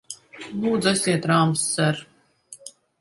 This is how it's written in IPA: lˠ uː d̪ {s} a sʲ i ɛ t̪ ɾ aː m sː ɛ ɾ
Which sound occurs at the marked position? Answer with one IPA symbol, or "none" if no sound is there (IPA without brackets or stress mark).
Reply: z